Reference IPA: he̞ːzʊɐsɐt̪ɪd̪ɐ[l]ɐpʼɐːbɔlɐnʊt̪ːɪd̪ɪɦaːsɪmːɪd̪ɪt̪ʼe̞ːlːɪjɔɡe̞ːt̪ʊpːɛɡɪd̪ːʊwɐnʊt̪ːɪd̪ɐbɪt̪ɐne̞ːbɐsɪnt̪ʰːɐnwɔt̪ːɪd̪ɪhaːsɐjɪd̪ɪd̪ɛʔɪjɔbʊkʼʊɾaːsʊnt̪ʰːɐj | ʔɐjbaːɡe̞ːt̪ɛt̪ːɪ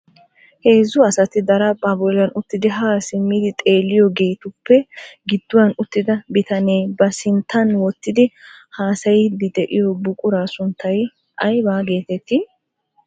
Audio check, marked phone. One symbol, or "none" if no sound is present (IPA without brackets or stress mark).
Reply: ɾ